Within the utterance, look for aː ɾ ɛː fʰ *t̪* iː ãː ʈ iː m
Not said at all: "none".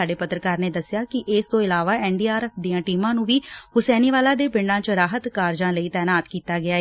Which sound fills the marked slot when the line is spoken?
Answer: d̪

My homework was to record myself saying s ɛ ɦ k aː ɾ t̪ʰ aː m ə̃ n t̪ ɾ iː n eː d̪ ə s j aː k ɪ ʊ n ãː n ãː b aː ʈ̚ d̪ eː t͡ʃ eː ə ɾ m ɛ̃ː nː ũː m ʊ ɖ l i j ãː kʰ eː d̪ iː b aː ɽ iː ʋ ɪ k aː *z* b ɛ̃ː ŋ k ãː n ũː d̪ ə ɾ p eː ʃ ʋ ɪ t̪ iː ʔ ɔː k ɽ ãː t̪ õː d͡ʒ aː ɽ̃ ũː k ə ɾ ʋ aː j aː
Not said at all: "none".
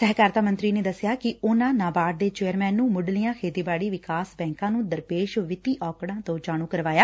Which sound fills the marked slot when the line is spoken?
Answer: s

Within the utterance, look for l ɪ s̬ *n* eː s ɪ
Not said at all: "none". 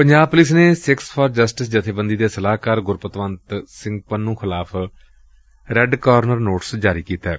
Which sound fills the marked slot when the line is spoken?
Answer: n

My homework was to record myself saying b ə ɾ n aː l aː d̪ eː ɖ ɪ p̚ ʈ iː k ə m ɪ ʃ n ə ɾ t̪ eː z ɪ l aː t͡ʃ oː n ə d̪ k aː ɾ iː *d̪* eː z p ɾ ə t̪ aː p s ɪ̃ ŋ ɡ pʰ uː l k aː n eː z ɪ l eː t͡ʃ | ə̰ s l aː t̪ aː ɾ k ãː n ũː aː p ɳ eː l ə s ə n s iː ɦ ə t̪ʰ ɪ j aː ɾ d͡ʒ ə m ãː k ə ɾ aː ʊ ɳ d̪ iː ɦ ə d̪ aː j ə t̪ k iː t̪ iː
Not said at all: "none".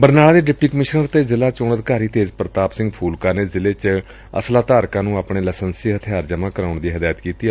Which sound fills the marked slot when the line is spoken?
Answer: t̪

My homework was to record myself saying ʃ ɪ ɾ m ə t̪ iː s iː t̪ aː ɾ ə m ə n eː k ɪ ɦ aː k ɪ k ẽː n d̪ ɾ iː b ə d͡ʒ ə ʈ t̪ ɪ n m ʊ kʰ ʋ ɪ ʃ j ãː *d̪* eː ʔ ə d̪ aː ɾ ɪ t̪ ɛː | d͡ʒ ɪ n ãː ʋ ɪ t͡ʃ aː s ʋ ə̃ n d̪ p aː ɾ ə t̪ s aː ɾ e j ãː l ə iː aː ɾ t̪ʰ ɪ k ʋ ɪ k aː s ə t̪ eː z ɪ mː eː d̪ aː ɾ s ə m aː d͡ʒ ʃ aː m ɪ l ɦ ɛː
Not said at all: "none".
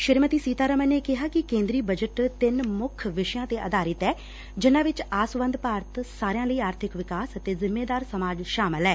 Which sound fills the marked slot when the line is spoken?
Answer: t̪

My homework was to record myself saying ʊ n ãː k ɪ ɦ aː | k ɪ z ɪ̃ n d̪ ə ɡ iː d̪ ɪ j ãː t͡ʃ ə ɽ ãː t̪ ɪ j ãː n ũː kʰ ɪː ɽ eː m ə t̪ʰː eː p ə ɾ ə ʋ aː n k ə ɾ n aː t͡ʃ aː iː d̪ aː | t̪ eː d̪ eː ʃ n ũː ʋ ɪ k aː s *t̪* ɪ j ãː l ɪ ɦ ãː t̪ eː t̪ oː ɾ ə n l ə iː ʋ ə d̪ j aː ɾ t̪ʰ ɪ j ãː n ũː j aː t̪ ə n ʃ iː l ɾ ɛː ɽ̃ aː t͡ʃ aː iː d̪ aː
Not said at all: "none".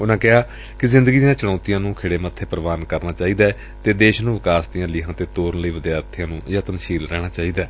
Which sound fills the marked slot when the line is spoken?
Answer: d̪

